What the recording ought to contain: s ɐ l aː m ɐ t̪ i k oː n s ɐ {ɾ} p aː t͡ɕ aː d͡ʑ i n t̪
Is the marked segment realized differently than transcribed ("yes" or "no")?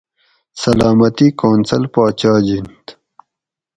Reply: yes